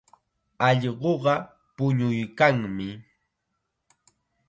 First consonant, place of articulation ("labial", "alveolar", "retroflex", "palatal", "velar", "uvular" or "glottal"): palatal